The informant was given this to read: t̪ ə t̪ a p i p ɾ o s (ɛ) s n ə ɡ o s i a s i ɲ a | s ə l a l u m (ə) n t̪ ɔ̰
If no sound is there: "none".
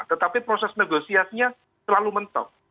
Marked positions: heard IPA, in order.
ɛ, ə

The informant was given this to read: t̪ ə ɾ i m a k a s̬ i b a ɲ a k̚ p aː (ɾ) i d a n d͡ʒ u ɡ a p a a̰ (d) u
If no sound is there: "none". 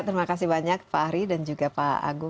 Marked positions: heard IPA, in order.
ɾ, ɡ

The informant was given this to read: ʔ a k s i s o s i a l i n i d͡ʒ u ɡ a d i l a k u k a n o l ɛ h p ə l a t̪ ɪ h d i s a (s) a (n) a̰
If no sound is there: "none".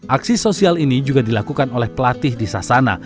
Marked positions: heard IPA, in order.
s, n

